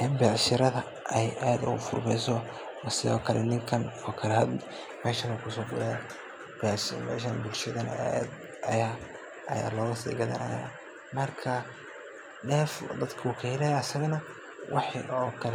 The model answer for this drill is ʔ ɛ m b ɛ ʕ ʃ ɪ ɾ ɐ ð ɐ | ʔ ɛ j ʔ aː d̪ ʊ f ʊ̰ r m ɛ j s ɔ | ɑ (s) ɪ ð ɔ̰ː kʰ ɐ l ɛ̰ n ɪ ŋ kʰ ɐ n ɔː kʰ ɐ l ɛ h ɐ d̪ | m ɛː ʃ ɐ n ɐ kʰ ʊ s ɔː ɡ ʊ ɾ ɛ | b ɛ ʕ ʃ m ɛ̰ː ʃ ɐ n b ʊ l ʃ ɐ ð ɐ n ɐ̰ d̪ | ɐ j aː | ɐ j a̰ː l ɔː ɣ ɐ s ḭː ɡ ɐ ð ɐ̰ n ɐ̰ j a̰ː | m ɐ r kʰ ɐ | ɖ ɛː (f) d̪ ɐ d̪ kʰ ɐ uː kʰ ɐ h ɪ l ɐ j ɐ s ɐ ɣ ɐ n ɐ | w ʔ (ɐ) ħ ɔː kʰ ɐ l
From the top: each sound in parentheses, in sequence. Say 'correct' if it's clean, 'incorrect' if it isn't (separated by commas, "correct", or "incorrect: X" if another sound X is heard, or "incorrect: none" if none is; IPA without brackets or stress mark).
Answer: correct, correct, incorrect: ɑ